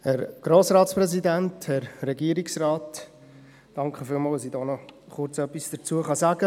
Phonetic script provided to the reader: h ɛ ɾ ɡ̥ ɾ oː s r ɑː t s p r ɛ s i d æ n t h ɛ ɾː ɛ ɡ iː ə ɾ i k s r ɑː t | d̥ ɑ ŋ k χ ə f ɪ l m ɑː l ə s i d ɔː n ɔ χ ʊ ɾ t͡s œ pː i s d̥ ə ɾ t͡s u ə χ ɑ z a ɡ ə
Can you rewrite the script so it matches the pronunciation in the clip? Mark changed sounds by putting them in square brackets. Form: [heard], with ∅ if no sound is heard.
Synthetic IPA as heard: h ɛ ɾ ɡ̥ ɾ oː s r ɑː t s p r ɛ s i d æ n t h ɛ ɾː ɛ ɡ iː ə ɾ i k s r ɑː t | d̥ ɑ ŋ k χ ə f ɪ l m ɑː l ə s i d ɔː n ɔ χ ʊ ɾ t͡s œ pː i s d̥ ə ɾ t͡s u ə χ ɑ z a ɡ ə